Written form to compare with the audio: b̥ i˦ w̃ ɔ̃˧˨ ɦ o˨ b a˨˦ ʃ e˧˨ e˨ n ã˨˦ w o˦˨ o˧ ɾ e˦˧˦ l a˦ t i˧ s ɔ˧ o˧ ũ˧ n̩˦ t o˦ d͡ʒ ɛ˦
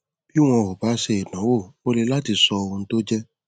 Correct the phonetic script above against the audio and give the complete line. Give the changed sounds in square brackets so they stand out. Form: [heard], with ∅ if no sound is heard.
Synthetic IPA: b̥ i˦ w̃ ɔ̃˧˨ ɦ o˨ b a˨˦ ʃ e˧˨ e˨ n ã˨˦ w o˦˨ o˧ [l] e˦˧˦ l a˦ t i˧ s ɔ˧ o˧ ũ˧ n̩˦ t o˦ d͡ʒ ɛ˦